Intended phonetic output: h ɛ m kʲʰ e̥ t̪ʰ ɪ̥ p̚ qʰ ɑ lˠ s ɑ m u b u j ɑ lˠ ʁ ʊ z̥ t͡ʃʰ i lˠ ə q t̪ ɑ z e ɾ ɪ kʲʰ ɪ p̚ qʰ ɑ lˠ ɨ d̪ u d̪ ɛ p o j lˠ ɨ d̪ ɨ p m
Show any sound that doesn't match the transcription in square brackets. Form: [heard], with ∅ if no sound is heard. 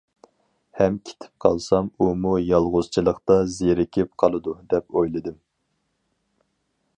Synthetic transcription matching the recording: h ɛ m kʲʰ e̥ t̪ʰ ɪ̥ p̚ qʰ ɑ lˠ s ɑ m u [m] u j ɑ lˠ ʁ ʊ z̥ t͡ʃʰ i lˠ ə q t̪ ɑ z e ɾ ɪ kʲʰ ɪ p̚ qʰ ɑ lˠ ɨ d̪ u d̪ ɛ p o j lˠ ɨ d̪ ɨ [∅] m